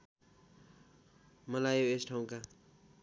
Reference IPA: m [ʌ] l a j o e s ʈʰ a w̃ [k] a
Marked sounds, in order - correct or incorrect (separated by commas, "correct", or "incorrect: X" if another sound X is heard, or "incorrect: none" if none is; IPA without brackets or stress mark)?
correct, correct